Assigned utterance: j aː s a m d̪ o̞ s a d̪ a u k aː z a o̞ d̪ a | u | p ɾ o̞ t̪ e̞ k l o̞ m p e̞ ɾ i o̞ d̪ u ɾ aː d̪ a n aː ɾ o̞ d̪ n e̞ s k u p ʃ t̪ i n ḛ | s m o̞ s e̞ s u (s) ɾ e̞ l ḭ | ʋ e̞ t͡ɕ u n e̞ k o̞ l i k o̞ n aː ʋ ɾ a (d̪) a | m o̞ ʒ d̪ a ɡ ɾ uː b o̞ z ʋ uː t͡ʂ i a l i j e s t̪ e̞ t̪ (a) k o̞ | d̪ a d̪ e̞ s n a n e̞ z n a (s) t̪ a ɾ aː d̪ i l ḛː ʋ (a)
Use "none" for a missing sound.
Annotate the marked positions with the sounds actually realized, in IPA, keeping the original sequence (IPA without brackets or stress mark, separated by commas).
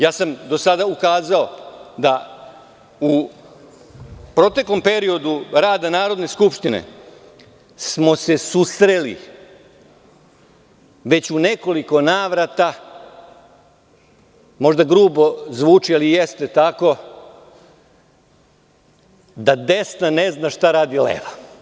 s, t̪, a, ʃ, a